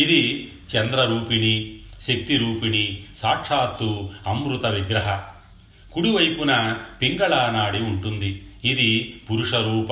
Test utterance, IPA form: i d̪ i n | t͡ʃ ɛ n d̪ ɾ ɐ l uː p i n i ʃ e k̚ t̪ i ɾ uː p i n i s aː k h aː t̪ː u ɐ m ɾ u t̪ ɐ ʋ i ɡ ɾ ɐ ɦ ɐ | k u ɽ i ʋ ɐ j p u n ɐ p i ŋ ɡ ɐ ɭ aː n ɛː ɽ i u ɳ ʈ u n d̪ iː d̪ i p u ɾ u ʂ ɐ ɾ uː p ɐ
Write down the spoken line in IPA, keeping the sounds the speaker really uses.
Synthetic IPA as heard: i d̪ i | t͡ʃ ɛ n d̪ ɾ ɐ ɾ uː p i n i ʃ e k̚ t̪ i ɾ uː p i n i s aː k ʂ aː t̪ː u ɐ m ɾ u t̪ ɐ ʋ i ɡ ɾ ɐ ɦ ɐ | k u ɽ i ʋ ɐ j p u n ɐ p i ŋ ɡ ɐ ɭ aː n aː ɽ i u ɳ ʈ u n d̪ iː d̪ i p u ɾ u ʂ ɐ ɾ uː p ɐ